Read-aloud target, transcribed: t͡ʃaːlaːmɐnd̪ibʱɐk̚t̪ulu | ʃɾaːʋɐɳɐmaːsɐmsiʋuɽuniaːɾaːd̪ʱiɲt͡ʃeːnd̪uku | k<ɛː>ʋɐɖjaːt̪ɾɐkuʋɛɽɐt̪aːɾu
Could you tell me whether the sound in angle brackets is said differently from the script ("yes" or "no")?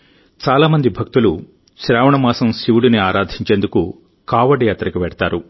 yes